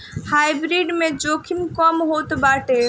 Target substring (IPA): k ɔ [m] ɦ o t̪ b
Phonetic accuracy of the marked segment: correct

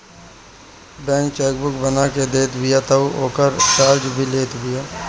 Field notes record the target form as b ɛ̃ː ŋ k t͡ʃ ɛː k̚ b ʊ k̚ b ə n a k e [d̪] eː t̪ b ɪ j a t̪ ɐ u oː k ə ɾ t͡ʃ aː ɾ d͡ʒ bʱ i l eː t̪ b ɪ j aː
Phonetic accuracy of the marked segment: correct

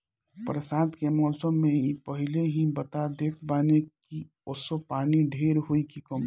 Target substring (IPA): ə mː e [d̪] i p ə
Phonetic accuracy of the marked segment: incorrect: none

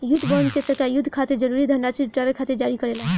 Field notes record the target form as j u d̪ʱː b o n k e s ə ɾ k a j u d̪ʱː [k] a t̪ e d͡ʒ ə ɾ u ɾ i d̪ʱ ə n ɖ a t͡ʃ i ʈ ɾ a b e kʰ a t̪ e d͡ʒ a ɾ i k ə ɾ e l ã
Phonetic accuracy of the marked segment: incorrect: kʰ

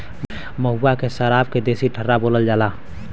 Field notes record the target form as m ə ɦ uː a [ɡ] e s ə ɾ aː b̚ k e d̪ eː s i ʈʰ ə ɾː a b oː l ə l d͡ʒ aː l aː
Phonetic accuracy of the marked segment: incorrect: k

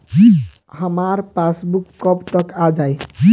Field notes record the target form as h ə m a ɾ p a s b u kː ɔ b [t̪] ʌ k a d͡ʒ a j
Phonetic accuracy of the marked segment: correct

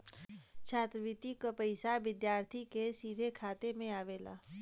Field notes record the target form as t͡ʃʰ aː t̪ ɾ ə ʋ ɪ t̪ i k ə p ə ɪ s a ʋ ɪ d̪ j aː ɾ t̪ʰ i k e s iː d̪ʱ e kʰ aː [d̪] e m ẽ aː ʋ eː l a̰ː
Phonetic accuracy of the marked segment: incorrect: t̪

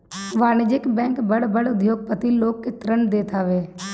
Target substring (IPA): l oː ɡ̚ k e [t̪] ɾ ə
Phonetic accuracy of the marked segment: correct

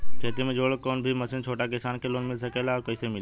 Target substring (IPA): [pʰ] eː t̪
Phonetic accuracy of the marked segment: incorrect: kʰ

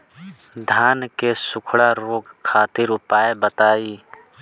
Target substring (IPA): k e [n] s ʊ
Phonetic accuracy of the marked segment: incorrect: none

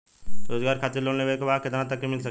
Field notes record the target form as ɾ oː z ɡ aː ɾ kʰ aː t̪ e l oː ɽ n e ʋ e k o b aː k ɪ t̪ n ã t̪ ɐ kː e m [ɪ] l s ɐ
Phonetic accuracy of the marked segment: correct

